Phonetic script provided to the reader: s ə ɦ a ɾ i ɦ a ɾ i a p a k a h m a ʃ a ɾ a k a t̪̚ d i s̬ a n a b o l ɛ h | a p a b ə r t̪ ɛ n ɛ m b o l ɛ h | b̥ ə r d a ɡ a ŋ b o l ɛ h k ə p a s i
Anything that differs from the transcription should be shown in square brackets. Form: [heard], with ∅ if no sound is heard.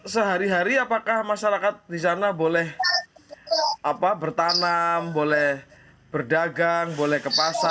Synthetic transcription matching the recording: s ə ɦ a ɾ i ɦ a ɾ i a p a k a h m a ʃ a ɾ a k a t̪̚ d i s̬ a n a b o l ɛ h | a p a b ə r t̪ [a] n [a] m b o l ɛ h | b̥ ə r d a ɡ a ŋ b o l ɛ h k ə p a s [a]

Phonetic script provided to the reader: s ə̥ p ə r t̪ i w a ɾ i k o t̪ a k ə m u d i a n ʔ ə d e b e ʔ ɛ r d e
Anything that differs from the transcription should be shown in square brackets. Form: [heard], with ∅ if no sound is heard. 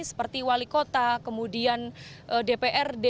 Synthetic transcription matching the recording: s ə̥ p ə r t̪ i w a [l] i k o t̪ a k ə m u d i a n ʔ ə d e [p] e ʔ ɛ r d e

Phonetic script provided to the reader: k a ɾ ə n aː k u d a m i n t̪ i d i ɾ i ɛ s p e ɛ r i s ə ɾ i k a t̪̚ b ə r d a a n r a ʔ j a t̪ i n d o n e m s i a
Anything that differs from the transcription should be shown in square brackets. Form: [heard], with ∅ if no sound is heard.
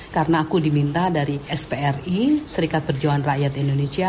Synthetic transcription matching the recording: k a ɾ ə n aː k u d [i] m i n t̪ [a] d [a] ɾ i ɛ s p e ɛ r i s ə ɾ i k a t̪̚ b ə r [d͡ʒ] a a n r a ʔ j a t̪ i n d o n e [∅] s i a

